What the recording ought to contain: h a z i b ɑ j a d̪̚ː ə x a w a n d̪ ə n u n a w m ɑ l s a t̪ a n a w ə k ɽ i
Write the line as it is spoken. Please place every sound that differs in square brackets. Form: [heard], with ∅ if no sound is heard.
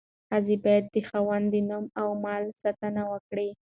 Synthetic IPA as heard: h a z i b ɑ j a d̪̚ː ə x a w a n d̪ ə n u [m] a w m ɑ l s a t̪ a n a w ə k ɽ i

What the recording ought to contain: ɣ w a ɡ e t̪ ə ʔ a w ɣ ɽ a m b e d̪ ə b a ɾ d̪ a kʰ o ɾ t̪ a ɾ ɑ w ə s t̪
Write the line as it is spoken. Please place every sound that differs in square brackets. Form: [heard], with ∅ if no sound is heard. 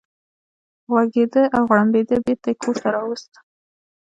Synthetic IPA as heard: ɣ w a ɡ e [d̪] ə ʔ a w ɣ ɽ a m b e d̪ ə b [e] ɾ [t̪] a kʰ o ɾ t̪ a ɾ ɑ w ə s t̪

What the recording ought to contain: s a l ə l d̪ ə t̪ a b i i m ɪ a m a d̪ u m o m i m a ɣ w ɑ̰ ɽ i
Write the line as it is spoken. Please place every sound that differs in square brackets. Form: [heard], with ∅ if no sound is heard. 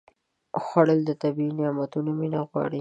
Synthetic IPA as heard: [x] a [ɽ] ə l d̪ ə t̪ a b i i [n] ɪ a m a [t̪] u [n] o m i [n] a ɣ w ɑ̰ ɽ i

